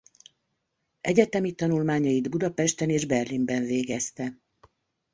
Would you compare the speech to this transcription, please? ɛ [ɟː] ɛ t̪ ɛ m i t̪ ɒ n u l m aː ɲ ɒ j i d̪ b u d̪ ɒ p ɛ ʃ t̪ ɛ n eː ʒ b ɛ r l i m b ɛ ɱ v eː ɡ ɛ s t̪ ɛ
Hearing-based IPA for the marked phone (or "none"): ɟ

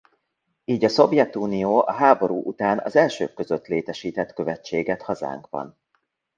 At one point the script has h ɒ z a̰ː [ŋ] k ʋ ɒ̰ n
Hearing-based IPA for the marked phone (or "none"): ŋ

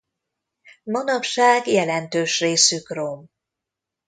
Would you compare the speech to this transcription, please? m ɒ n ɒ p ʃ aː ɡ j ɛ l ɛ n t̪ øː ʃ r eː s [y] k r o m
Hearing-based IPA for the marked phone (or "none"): y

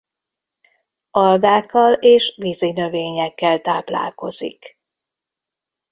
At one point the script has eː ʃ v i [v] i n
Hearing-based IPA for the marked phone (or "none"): z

